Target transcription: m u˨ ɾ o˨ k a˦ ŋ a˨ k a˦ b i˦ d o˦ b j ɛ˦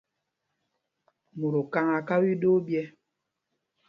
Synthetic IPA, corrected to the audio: m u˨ ɾ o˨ k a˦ ŋ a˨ k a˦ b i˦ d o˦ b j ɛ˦